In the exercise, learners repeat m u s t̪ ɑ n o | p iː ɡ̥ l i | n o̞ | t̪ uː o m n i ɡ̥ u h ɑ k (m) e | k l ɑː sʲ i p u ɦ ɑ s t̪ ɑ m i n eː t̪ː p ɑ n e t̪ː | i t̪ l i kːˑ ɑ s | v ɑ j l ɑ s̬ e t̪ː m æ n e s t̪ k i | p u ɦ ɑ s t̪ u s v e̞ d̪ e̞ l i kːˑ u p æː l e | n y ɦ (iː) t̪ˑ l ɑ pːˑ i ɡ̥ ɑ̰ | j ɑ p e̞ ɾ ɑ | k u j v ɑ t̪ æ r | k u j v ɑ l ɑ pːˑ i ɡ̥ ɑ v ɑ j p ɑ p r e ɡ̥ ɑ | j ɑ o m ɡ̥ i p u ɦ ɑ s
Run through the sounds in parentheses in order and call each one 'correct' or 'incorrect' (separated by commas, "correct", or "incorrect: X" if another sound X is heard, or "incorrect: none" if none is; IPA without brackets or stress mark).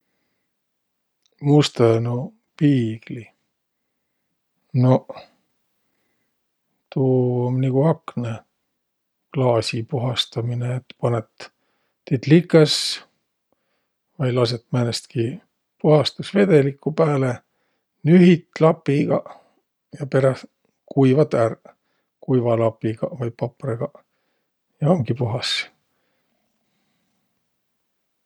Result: incorrect: n, incorrect: i